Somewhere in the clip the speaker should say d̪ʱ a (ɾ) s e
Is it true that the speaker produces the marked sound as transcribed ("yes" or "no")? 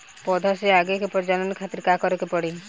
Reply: no